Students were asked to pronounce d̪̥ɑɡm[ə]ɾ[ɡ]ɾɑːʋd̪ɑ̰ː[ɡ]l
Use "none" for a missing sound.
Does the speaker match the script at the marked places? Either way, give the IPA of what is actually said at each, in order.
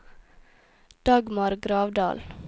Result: ɑ, ɡ, none

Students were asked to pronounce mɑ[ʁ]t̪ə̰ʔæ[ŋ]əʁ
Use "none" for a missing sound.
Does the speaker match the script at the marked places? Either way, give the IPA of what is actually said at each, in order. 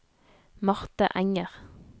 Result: ʁ, ŋ

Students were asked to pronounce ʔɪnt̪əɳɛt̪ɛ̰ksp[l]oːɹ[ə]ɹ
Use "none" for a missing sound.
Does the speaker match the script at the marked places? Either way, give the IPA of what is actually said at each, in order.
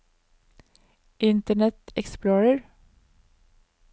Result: l, ə

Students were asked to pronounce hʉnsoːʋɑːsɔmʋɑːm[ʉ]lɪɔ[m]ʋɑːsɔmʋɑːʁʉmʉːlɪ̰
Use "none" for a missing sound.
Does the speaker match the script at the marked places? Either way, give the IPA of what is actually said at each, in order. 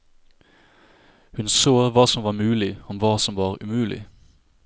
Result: ʉː, m

